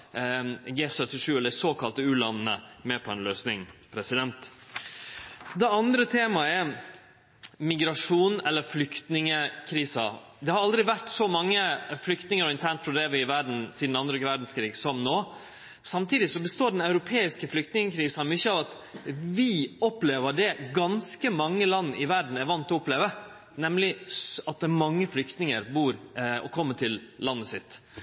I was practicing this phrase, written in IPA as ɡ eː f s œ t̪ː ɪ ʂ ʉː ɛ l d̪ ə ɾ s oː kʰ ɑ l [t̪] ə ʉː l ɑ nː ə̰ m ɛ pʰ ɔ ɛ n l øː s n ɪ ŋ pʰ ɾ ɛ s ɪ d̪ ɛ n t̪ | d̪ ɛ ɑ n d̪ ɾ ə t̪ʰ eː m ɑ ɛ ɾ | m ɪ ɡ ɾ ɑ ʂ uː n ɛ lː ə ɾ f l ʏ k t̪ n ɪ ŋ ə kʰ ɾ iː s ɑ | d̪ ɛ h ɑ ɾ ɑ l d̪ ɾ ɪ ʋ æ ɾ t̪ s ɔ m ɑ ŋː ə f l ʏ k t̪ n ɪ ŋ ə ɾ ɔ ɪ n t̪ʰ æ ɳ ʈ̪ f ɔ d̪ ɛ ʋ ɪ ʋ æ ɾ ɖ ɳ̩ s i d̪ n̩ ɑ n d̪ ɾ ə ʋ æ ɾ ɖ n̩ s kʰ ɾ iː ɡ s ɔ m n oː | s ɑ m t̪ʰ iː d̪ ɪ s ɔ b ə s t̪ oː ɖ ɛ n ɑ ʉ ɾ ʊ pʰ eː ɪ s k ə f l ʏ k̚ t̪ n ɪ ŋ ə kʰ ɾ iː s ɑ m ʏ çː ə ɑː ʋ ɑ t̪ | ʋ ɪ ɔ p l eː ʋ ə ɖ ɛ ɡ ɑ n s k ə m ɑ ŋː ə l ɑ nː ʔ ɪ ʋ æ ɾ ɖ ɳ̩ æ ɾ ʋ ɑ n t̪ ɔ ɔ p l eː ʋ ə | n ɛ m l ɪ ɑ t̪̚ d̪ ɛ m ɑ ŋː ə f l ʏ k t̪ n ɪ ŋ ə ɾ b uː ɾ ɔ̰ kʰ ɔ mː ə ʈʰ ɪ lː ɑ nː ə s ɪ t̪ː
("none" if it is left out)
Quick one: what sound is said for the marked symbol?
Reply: t̪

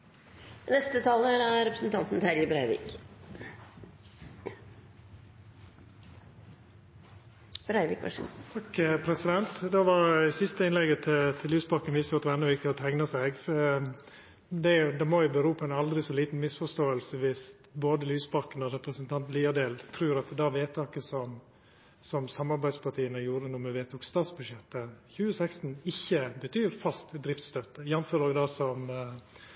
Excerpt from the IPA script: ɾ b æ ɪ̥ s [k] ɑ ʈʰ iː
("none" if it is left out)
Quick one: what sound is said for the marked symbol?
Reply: p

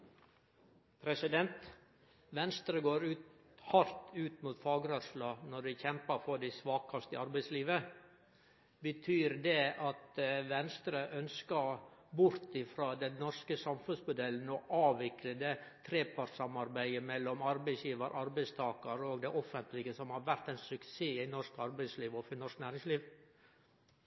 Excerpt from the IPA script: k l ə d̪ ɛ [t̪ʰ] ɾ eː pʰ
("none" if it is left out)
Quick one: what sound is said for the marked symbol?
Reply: t̪ʰ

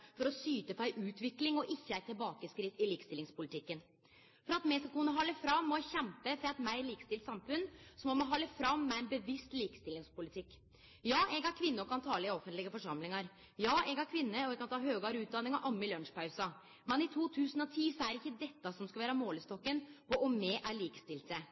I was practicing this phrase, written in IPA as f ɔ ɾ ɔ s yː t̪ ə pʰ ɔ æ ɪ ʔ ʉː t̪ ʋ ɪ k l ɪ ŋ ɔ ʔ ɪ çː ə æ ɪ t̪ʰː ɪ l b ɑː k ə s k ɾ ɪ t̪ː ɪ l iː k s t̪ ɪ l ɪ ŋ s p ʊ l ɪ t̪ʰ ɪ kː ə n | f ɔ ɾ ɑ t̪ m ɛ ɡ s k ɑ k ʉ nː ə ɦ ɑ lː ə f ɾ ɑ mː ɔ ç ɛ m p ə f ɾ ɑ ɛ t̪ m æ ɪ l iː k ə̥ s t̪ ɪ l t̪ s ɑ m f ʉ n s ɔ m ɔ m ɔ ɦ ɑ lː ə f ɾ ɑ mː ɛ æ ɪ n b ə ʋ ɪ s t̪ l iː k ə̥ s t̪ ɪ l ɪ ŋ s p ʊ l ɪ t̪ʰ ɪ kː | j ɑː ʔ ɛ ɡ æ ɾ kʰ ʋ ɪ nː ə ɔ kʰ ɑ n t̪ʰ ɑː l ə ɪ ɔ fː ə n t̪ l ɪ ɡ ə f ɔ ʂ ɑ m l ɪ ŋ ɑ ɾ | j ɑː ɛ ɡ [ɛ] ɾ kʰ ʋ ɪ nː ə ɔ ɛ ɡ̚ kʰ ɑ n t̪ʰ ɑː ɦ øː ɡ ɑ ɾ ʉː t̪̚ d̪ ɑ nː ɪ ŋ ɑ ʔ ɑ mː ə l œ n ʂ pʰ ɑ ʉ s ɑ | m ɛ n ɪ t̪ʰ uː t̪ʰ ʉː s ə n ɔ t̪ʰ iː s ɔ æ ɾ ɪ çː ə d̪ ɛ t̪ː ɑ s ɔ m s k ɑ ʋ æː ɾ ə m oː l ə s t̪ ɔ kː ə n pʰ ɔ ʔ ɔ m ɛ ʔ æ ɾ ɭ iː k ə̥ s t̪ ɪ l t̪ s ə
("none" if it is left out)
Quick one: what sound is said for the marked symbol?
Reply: æ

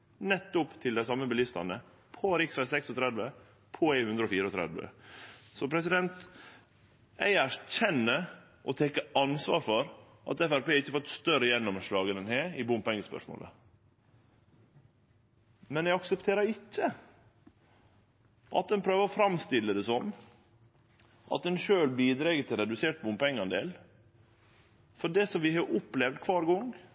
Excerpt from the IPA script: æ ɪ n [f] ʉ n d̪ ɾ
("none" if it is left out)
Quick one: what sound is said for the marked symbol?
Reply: h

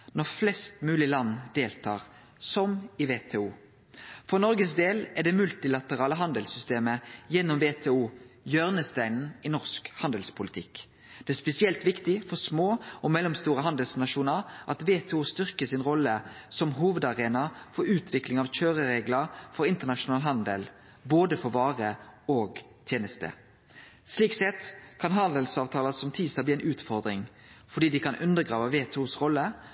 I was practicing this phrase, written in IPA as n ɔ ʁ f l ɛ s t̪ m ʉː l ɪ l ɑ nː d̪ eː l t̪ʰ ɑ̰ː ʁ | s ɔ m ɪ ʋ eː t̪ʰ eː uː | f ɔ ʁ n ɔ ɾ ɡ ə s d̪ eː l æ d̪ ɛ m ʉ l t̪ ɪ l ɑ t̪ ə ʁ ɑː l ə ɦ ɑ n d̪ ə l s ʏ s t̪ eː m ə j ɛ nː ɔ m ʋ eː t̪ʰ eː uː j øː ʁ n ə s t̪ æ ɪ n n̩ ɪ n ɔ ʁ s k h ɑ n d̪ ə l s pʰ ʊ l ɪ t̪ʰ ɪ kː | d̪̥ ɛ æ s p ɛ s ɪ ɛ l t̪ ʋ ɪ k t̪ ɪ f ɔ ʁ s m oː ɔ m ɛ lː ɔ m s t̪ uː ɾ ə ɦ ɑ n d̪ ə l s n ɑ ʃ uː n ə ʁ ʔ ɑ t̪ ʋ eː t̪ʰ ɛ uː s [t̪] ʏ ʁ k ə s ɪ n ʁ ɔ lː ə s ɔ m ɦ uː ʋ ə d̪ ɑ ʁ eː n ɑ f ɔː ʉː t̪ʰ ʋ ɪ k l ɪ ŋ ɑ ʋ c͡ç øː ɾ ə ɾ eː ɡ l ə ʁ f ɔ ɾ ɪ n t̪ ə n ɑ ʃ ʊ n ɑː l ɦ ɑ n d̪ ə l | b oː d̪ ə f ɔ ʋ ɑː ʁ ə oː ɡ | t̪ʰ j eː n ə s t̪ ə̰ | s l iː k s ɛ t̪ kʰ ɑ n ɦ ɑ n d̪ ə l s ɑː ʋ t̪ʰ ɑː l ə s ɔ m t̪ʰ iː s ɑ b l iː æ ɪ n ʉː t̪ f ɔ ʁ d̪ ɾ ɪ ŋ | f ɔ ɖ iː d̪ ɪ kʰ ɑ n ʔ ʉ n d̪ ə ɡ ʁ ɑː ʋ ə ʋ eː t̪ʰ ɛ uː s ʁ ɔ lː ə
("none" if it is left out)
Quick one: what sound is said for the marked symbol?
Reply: t̪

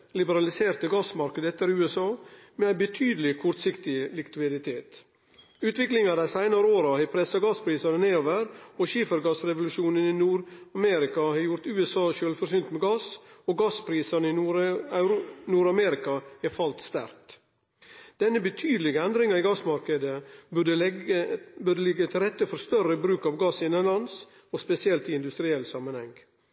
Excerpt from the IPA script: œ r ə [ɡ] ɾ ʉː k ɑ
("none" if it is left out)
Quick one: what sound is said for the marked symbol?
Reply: b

